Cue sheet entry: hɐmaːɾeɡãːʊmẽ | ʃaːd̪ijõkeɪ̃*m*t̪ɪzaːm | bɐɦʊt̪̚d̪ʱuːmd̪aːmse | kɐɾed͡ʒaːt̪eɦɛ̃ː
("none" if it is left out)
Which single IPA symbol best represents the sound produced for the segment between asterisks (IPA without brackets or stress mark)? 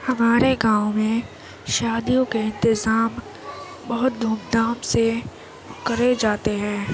n